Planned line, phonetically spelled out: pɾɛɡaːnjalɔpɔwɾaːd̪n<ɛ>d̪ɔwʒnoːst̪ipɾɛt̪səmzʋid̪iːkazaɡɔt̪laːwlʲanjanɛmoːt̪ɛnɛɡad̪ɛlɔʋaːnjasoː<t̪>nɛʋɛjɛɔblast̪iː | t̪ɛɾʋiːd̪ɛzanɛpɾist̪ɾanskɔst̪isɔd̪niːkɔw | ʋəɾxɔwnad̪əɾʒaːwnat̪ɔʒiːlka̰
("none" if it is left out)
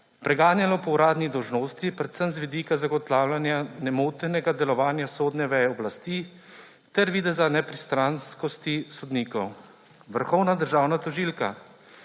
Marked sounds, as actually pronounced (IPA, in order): i, d̪

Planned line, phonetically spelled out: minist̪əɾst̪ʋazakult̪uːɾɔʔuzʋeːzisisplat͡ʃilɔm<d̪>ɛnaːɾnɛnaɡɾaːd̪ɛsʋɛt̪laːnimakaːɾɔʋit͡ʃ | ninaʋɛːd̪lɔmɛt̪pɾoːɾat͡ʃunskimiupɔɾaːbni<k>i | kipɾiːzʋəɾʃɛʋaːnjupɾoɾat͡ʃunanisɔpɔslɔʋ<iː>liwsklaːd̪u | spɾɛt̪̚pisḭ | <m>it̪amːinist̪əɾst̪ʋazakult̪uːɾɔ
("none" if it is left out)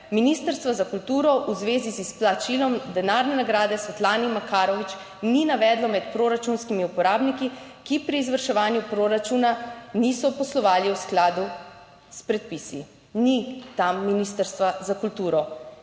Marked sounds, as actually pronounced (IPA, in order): d̪, k, aː, n

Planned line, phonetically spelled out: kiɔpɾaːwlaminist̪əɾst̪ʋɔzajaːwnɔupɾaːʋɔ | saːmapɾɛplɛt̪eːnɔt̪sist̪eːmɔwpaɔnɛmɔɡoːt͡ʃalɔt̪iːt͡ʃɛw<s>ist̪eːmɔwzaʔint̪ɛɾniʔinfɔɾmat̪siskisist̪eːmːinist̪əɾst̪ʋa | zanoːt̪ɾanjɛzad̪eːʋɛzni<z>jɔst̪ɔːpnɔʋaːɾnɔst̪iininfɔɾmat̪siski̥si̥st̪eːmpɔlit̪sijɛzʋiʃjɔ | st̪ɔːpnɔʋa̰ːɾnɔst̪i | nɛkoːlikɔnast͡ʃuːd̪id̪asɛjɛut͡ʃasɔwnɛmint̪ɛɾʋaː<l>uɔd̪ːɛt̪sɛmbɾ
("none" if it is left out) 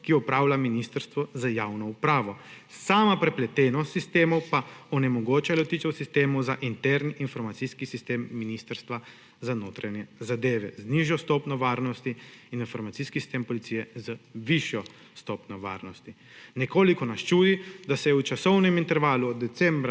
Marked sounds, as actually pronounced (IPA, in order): s, ʒ, l

